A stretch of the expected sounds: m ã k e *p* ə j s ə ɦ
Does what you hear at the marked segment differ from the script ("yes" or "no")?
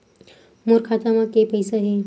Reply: no